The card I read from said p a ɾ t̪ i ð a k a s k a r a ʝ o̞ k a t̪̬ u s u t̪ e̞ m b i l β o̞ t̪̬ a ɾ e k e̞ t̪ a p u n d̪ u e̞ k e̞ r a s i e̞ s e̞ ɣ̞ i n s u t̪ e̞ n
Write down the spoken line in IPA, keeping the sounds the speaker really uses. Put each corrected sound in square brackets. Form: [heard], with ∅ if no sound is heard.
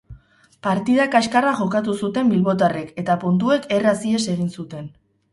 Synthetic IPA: p a ɾ t̪ i ð a k a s k a r a ʝ o̞ k a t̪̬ u s u t̪ e̞ m b i l β o̞ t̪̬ a [r] e k e̞ t̪ a p u n [t̪] u e̞ k e̞ r a s i e̞ s e̞ ɣ̞ i n s u t̪ e̞ n